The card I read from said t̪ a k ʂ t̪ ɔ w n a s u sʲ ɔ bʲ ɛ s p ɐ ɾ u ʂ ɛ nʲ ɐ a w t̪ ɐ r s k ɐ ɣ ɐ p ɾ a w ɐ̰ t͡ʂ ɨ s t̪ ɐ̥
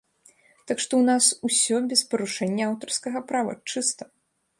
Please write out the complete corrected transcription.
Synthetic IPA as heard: t̪ a k ʂ t̪ ɔ w n a s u sʲ ɔ bʲ ɛ s p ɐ ɾ u ʂ ɛ nʲː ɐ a w t̪ ɐ r s k ɐ ɣ ɐ p ɾ a v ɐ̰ t͡ʂ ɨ s t̪ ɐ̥